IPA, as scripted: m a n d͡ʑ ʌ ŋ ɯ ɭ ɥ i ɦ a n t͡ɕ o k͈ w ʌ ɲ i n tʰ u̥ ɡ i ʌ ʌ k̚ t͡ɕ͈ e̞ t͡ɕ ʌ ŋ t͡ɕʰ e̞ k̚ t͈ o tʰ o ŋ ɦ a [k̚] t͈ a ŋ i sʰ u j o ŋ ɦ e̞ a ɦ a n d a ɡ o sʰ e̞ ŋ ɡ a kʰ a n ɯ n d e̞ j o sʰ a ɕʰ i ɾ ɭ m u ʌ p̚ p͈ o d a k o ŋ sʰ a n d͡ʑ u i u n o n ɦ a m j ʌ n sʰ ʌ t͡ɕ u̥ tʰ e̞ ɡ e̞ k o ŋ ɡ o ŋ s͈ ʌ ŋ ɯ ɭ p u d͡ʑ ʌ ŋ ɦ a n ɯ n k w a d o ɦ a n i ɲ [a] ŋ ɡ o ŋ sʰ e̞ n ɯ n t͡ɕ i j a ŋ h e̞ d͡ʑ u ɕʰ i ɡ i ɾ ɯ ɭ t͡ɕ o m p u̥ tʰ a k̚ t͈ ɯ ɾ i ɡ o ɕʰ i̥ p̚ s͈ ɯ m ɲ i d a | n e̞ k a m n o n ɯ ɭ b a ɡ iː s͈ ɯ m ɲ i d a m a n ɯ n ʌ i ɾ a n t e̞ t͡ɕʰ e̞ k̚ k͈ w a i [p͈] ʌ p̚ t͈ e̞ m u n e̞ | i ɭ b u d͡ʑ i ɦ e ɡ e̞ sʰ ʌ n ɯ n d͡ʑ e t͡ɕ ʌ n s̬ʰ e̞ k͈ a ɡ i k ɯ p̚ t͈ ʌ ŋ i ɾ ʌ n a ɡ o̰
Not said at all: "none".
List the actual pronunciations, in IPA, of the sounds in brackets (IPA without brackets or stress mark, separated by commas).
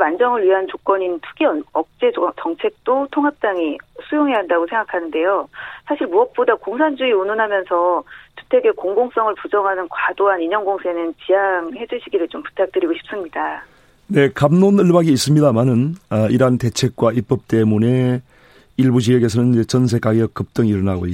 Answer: p̚, ʌ, p͈